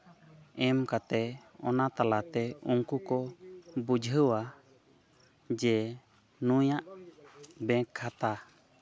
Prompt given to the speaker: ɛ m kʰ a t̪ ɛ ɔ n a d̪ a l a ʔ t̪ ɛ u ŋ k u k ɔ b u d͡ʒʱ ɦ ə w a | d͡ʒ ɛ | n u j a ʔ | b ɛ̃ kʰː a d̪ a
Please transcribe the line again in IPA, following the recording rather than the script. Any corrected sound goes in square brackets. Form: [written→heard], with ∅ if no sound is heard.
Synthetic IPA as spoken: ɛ m [kʰ→k] a t̪ ɛ ɔ n a [d̪→t̪] a l a [ʔ→∅] t̪ ɛ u ŋ k u k ɔ b u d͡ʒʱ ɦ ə w a | d͡ʒ ɛ | n u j a ʔ | b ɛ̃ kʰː a [d̪→t̪] a